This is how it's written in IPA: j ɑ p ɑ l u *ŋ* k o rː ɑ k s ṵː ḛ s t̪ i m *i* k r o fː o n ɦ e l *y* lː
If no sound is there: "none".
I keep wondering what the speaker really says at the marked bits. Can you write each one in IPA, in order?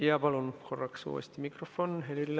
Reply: n, i, i

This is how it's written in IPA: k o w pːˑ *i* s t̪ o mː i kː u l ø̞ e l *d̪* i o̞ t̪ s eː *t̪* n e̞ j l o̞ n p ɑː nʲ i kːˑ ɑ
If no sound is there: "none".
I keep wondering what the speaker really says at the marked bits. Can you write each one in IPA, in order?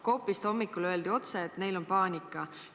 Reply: i, d̪, t̪

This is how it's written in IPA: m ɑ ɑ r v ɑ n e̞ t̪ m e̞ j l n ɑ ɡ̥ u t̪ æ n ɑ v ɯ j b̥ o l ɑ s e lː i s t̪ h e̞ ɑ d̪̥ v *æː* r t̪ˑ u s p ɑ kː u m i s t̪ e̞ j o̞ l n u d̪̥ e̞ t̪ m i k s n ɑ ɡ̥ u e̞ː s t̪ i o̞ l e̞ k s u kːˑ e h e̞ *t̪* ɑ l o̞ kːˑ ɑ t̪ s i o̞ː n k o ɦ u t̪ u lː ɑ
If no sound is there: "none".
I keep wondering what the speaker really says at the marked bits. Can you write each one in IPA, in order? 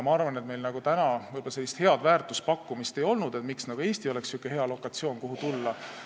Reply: æː, none

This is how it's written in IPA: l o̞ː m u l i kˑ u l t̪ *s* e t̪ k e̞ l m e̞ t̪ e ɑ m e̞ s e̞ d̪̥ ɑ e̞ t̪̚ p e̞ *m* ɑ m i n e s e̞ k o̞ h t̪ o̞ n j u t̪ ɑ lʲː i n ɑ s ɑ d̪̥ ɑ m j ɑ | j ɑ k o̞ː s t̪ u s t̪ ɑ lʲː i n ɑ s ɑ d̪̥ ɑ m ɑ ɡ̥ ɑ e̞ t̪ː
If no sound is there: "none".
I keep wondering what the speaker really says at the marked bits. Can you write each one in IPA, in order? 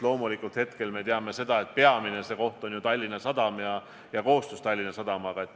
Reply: h, none

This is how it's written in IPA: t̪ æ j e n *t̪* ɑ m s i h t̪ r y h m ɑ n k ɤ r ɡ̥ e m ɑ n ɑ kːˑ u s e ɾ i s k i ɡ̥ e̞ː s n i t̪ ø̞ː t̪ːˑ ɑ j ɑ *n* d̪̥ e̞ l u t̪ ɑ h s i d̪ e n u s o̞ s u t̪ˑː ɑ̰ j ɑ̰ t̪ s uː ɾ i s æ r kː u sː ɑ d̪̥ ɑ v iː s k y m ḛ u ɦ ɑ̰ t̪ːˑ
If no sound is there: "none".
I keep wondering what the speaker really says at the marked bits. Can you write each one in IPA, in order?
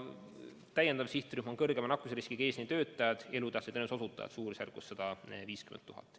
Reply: d̪, none

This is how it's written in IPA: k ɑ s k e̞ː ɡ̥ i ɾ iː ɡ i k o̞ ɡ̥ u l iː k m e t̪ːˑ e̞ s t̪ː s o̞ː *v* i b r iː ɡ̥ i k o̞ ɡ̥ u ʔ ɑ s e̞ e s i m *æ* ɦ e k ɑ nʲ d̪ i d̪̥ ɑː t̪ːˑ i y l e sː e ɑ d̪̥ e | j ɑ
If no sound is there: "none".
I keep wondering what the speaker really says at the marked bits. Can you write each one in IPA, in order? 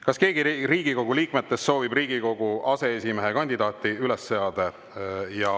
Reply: v, e

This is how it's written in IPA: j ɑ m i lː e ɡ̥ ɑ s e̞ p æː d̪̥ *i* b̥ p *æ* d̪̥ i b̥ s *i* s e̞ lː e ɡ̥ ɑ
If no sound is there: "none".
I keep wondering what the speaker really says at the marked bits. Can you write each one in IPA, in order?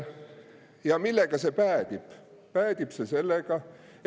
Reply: i, æː, e

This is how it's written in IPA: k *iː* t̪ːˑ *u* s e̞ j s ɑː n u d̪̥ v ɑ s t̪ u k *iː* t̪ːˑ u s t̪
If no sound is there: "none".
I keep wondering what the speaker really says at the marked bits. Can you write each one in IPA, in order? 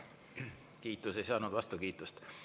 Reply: iː, u, iː

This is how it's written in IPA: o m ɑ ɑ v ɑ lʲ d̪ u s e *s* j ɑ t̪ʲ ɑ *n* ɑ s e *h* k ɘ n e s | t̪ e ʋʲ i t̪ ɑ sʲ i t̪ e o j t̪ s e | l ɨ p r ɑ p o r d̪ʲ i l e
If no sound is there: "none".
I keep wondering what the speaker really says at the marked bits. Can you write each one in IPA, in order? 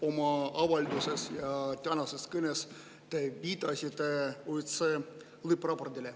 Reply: s, n, s

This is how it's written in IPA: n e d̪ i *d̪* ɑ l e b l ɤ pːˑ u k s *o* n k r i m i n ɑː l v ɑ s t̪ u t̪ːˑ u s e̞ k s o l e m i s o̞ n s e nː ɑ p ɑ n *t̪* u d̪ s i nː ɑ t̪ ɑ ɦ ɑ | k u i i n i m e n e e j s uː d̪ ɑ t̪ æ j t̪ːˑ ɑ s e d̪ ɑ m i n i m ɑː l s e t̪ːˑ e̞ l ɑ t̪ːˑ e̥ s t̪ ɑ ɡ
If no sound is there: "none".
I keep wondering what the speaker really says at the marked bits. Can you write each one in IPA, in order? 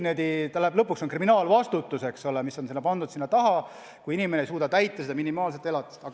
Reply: t̪, o, d̪

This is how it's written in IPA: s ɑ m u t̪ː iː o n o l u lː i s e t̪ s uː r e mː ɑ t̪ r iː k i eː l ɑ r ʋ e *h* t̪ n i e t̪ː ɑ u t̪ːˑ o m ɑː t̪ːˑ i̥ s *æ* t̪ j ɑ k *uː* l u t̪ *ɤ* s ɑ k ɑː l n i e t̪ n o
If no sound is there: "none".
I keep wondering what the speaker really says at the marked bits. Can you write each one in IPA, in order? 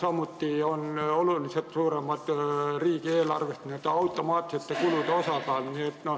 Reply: s, e, u, o

